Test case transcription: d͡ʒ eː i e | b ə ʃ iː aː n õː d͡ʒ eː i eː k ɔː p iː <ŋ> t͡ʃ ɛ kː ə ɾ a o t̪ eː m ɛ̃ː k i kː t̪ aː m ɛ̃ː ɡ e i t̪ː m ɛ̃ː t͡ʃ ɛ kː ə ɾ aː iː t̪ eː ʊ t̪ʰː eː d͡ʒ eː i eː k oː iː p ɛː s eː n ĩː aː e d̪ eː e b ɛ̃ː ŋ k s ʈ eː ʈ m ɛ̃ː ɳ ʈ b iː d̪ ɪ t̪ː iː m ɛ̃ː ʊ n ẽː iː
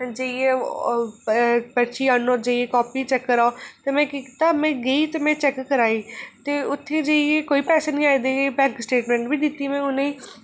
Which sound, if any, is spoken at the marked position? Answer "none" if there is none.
none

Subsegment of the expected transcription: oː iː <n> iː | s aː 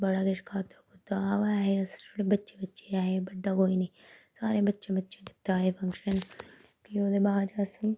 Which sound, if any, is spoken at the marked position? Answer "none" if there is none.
n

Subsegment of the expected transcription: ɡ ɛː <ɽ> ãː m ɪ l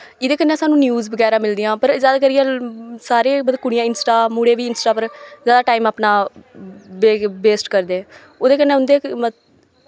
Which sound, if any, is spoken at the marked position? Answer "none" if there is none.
ɾ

